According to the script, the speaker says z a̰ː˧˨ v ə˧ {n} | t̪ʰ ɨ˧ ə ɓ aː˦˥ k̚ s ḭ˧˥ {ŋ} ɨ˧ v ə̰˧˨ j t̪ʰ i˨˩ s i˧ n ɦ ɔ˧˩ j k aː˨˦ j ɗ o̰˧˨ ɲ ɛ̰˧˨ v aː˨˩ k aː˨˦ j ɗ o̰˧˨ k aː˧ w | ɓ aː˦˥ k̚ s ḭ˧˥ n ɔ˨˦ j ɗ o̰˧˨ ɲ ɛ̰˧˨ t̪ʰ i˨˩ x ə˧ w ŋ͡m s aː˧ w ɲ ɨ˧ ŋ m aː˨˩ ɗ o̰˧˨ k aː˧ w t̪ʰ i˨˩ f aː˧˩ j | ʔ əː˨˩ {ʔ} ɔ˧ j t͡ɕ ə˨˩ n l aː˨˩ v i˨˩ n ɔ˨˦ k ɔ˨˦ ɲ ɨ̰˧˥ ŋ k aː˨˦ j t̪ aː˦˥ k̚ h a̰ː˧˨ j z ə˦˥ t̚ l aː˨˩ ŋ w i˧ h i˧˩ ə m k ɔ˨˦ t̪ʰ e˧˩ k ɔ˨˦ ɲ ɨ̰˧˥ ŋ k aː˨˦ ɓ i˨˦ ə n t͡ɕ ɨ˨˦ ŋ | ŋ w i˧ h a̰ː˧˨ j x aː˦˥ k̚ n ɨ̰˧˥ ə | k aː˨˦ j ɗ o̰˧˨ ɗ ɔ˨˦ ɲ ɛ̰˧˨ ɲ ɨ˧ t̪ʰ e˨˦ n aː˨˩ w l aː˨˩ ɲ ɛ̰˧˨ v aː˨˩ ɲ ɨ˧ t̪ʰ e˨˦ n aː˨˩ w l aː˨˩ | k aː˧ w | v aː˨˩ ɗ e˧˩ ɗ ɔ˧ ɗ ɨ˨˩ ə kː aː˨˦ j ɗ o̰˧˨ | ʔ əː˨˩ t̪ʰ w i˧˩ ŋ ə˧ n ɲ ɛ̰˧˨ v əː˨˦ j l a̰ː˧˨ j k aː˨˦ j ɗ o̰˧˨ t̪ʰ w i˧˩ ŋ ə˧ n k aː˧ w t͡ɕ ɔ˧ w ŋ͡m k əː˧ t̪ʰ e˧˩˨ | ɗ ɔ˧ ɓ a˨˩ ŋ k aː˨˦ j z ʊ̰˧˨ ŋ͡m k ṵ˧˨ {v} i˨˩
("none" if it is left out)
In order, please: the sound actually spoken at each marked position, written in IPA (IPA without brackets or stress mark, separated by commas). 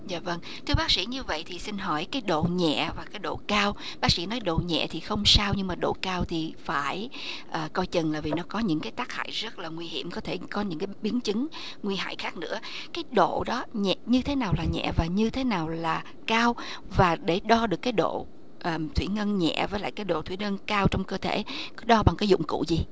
ŋ, ɲ, k, z